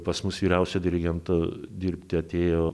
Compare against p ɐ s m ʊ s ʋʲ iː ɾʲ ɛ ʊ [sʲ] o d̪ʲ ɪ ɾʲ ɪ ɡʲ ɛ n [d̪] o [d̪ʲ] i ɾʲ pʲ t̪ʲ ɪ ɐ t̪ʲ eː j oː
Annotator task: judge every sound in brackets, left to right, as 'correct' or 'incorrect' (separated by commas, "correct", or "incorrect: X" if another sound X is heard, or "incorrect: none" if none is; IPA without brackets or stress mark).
correct, incorrect: t̪, correct